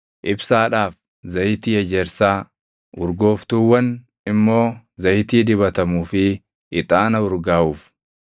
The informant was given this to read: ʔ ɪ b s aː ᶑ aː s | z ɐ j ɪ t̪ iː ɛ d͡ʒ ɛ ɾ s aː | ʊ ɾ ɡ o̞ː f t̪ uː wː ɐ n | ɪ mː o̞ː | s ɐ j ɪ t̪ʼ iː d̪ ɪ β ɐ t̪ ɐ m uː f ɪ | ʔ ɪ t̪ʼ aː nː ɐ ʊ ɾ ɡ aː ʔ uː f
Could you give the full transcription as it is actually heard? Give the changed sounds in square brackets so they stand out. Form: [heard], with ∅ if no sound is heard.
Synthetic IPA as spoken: ʔ ɪ b s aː ᶑ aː [f] | z ɐ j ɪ t̪ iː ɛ d͡ʒ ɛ ɾ s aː | ʊ ɾ ɡ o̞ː f t̪ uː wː ɐ n | ɪ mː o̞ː | [z] ɐ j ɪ [t̪] iː d̪ ɪ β ɐ t̪ ɐ m uː f ɪ | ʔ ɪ t̪ʼ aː [n] ɐ ʊ ɾ ɡ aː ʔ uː f